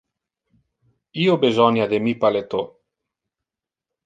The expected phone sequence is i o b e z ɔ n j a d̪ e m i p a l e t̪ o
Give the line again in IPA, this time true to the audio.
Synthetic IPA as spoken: i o b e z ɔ n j a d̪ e m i p a l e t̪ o